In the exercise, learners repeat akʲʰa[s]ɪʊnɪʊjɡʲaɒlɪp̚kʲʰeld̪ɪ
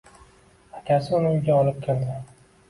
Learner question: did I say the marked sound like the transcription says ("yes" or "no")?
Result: yes